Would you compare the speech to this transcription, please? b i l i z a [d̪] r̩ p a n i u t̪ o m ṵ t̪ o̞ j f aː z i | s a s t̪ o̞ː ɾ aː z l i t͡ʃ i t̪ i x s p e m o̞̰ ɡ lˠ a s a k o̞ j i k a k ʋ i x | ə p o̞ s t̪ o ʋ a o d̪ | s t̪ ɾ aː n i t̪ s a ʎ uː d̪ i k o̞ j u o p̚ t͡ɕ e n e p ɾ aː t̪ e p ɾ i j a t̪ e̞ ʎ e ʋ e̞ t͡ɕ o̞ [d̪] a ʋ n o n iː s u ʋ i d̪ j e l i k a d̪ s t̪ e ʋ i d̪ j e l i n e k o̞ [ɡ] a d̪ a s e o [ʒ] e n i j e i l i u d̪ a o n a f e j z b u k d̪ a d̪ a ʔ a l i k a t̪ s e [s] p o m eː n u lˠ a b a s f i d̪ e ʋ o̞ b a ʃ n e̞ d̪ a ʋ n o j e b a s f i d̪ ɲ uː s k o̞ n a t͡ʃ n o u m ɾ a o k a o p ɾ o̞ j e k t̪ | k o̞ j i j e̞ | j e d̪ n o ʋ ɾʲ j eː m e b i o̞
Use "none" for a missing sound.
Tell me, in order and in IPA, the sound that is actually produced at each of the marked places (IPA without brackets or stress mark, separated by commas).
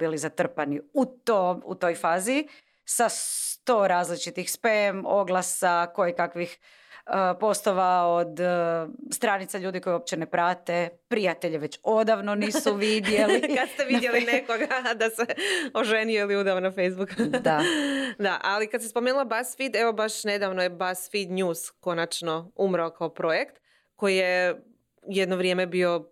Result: t̪, d̪, ɡ, ʒ, s